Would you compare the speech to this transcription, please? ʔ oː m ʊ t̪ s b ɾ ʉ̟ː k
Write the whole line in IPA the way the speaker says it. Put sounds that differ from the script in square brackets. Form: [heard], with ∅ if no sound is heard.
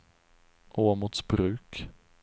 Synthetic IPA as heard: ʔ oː m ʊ t̪ s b ɾ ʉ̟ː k